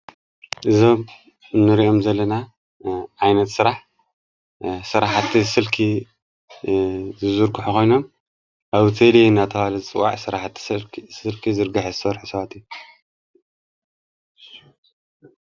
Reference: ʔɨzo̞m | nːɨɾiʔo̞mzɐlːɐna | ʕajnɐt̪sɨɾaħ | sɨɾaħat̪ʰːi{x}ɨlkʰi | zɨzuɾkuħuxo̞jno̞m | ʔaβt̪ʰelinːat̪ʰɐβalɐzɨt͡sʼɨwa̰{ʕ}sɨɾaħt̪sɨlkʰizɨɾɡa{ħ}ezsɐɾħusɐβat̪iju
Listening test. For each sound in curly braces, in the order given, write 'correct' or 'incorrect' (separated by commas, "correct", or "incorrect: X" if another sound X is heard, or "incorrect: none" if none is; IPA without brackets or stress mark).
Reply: incorrect: s, correct, correct